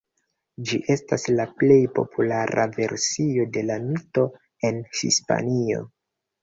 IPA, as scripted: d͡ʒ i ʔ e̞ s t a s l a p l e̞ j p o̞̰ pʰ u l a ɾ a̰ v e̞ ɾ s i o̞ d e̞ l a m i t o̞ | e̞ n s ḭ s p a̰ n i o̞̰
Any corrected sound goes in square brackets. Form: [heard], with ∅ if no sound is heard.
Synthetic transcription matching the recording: d͡ʒ i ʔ e̞ s t a s l a p l e̞ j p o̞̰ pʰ u l a ɾ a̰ v e̞ ɾ s i o̞ d e̞ l a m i t o̞ | e̞ n [h] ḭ s p a̰ n i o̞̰